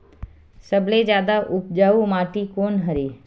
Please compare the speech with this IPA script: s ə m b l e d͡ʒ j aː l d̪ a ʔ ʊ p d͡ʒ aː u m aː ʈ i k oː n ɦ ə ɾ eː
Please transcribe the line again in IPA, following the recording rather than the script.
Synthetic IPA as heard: s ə b l e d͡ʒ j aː d̪ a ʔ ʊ p d͡ʒ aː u m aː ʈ i k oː n ɦ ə ɾ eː